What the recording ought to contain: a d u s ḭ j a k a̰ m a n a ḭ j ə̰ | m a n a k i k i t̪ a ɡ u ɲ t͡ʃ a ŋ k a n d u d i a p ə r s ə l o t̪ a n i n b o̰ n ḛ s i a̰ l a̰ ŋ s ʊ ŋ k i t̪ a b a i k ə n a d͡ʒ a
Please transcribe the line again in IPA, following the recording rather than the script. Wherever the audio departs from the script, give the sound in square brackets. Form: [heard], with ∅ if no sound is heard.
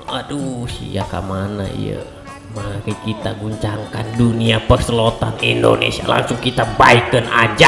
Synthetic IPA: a d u s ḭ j a k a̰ m a n a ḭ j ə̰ | m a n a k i k i t̪ a ɡ u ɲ t͡ʃ a ŋ k a n d u [n] i a p ə r s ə l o t̪ a n i n [d] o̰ n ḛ s i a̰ l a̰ ŋ s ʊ ŋ k i t̪ a b a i k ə n a d͡ʒ a